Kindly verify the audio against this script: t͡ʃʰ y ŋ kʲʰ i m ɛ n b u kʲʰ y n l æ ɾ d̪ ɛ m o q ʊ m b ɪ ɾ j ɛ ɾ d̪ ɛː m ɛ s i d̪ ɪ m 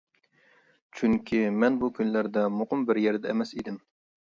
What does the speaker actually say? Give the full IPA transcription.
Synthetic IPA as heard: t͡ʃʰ y ŋ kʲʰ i m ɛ n b u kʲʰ y n l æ ɾ d̪ ɛ m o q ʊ m b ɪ ɾ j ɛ ɾ d̪ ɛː m ɛ s i d̪ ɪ m